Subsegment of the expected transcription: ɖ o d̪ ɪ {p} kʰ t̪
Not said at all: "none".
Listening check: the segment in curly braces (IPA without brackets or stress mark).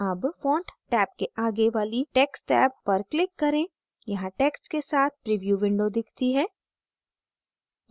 none